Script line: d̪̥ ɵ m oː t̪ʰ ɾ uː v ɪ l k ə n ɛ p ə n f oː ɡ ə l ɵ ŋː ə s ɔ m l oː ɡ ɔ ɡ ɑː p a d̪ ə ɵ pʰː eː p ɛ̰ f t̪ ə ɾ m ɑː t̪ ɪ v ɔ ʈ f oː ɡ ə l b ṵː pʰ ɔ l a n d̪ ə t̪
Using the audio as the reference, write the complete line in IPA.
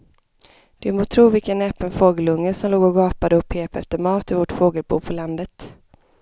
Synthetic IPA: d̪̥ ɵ m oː t̪ʰ ɾ uː v ɪ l k ə n ɛ p ə n f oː ɡ ə l ɵ ŋː ə s ɔ m l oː ɡ ɔ ɡ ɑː p a d̪ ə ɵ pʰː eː p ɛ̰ f t̪ ə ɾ m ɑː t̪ ɪ v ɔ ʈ f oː ɡ ə l b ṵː pʰ ɔ l a n d̪ ə t̪